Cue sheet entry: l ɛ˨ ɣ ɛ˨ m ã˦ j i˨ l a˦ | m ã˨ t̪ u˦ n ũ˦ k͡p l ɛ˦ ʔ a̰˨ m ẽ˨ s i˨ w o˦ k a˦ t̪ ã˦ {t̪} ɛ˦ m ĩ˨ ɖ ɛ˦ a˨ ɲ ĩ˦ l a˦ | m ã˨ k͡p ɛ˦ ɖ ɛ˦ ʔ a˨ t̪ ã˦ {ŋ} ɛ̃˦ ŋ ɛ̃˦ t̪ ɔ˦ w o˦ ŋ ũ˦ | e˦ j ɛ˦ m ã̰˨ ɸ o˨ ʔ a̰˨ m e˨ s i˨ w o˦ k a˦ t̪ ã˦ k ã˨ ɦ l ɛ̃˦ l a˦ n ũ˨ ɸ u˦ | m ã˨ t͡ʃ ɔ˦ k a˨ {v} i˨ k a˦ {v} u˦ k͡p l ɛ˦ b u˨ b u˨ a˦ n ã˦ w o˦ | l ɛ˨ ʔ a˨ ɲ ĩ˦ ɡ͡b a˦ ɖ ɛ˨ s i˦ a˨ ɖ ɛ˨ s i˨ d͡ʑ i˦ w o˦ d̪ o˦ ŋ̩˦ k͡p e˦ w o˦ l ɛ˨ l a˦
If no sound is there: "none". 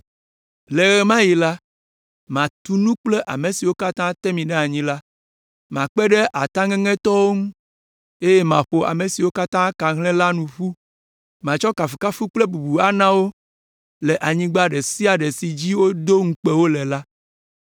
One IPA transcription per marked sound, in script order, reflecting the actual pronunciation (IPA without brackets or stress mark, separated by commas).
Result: t̪, ŋ, f, f